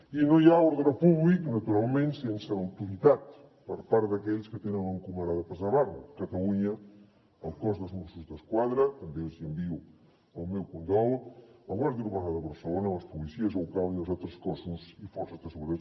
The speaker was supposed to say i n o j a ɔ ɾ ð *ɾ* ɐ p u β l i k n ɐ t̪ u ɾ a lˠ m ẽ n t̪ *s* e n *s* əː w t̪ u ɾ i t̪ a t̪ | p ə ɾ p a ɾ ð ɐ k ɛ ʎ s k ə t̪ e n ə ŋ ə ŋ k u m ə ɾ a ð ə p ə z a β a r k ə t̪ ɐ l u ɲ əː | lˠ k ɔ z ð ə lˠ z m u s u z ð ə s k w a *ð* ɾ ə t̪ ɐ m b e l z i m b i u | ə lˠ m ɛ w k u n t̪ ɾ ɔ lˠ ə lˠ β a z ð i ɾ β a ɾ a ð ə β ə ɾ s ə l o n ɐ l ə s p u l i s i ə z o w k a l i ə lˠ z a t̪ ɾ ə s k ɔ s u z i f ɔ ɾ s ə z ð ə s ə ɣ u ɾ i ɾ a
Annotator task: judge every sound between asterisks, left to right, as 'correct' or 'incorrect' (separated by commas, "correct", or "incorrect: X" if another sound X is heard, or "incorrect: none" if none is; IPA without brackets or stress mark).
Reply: correct, correct, correct, correct